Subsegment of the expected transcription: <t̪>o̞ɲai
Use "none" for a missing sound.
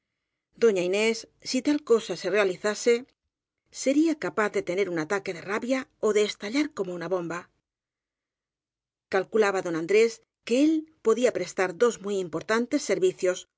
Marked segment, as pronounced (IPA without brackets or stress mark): d̪